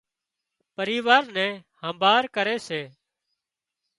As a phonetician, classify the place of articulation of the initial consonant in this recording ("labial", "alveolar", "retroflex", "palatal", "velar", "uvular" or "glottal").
labial